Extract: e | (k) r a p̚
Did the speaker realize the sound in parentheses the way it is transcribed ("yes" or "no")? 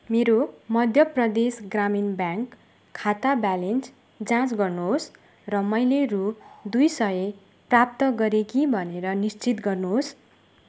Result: no